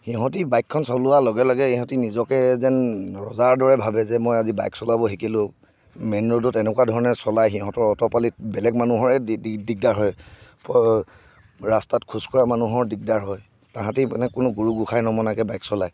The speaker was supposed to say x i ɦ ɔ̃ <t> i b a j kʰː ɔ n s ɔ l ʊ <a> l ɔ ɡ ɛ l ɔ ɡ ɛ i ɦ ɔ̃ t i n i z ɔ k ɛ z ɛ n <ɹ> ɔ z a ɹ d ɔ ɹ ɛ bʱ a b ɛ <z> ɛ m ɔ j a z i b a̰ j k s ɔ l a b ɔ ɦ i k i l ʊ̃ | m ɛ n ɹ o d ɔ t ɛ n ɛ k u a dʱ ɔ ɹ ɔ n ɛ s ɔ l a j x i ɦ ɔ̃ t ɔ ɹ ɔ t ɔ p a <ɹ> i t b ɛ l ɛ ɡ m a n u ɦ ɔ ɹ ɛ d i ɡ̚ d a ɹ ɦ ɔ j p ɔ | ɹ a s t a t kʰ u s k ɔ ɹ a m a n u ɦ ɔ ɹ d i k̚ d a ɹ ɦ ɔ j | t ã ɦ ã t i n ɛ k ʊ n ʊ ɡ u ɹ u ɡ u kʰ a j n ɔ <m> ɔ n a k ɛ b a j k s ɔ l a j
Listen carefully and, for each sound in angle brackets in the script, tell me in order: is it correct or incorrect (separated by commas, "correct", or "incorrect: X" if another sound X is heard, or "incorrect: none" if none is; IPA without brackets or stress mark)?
correct, correct, correct, correct, incorrect: l, correct